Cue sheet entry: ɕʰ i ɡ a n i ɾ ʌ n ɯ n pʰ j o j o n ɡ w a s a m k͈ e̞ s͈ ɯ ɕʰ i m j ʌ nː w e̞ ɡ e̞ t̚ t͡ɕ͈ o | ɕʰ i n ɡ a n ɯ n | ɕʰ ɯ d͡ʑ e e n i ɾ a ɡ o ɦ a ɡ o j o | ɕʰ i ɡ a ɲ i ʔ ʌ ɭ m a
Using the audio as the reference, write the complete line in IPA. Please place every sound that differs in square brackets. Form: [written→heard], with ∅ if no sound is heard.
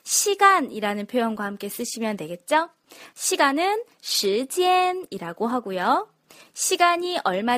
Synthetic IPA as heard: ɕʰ i ɡ a n i ɾ [ʌ→a] n ɯ n pʰ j o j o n ɡ w a [s→h] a m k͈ e̞ s͈ ɯ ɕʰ i m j ʌ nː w e̞ ɡ e̞ t̚ t͡ɕ͈ o | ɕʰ i [n→∅] ɡ a n ɯ n | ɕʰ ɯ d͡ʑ [e→i] e n i ɾ a ɡ o ɦ a ɡ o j o | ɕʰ i ɡ a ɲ i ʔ ʌ ɭ m a